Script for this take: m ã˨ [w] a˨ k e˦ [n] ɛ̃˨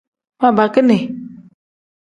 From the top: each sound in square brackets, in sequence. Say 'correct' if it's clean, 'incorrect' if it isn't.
incorrect, correct

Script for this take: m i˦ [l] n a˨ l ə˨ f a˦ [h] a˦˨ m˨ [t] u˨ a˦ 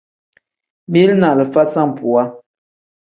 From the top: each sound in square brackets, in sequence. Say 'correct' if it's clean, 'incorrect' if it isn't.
correct, incorrect, incorrect

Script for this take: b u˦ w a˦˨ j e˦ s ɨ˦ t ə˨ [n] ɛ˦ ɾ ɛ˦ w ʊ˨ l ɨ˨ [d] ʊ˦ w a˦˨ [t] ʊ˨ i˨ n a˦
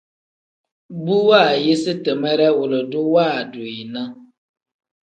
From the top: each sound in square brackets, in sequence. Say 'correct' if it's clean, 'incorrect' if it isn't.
incorrect, correct, incorrect

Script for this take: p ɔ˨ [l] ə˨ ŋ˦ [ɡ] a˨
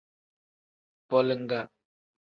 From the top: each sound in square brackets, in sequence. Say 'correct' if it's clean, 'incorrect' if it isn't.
correct, correct

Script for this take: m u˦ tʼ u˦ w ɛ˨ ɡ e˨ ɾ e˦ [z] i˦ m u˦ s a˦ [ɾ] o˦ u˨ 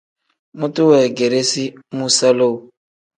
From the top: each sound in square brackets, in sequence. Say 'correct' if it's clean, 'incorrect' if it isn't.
incorrect, incorrect

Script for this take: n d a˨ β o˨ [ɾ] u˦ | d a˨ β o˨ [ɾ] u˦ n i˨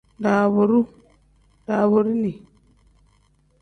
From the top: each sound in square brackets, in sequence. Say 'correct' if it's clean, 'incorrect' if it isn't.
correct, correct

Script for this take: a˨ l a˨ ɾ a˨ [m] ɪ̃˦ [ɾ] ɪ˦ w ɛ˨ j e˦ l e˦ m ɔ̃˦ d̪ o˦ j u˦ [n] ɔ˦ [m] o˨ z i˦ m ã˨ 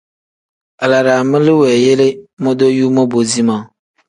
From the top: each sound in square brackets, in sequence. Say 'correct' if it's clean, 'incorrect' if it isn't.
correct, incorrect, incorrect, incorrect

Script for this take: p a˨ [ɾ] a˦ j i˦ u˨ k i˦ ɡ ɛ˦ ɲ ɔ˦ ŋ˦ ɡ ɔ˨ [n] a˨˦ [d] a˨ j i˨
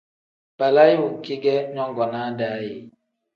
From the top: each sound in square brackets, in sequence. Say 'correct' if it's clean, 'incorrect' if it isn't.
incorrect, correct, correct

